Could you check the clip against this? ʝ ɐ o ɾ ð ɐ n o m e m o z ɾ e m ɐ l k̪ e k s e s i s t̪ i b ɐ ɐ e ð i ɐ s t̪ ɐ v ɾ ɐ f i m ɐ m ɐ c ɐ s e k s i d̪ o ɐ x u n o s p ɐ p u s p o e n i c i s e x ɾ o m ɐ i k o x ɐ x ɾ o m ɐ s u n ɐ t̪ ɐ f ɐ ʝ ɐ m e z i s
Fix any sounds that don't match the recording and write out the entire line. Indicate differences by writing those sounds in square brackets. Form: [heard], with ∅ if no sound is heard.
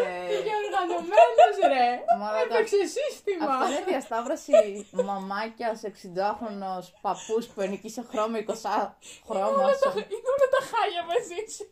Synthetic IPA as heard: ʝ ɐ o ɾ [ɣ] ɐ n o m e [n] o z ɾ e m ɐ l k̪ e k s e s i s t̪ i [m] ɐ ɐ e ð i ɐ s t̪ ɐ v ɾ ɐ [s] i m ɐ m ɐ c ɐ s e k s i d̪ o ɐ x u n o s p ɐ p u s p [u] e n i c i s e x ɾ o m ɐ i k o [s] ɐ x ɾ o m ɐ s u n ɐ t̪ ɐ [x] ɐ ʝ ɐ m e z i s